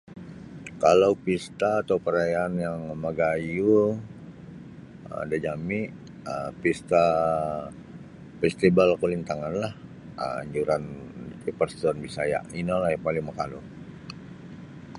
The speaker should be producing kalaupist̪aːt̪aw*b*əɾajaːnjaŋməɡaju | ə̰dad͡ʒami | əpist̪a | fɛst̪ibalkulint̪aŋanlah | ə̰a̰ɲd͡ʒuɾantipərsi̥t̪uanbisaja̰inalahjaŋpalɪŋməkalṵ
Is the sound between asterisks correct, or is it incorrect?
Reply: incorrect